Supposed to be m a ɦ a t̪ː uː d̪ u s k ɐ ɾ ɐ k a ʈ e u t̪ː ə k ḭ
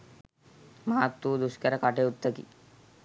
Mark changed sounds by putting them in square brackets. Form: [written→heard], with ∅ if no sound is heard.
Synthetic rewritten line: m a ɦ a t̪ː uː d̪ u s k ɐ ɾ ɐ k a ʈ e u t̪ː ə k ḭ

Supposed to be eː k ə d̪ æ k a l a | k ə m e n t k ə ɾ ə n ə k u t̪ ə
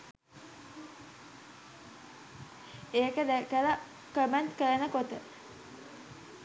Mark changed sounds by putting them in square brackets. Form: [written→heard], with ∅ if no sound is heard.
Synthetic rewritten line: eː k ə d̪ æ k [a→ə] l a | k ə m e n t k ə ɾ ə n ə k [u→o] t̪ ə

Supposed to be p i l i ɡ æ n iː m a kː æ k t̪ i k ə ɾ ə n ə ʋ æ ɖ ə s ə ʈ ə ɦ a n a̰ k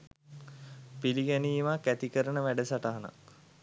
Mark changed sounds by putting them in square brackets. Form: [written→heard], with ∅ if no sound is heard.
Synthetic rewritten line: p i l i ɡ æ n iː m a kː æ [k→∅] t̪ i k ə ɾ ə n ə ʋ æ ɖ ə s [ə→a] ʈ [ə→a] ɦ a n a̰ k

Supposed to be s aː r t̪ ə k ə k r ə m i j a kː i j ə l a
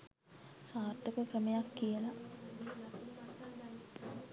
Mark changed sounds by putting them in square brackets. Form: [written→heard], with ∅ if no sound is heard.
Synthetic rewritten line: s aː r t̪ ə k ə k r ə m [i→e] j a kː i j ə l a

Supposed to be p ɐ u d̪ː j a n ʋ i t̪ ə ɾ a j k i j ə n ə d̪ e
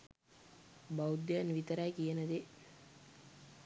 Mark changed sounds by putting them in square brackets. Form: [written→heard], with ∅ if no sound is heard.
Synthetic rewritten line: [p→b] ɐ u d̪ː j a n ʋ i t̪ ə ɾ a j k i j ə n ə d̪ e

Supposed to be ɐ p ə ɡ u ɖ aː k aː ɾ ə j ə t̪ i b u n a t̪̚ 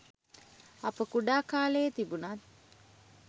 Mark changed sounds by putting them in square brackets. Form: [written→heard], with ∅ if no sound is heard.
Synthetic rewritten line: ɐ p ə [ɡ→k] u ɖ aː k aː [ɾ→l] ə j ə t̪ i b u n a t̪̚

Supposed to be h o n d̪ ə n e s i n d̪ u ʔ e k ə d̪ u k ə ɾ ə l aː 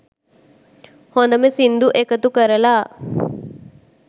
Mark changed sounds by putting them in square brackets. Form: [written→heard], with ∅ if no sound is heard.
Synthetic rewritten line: h o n d̪ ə [n→m] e s i n d̪ u ʔ e k ə [d̪→t̪] u k ə ɾ ə l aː

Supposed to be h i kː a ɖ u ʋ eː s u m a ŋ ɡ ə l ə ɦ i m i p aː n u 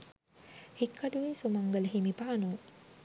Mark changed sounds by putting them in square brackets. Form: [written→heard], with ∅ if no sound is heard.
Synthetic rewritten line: h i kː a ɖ u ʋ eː s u m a ŋ ɡ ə l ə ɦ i m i p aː n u

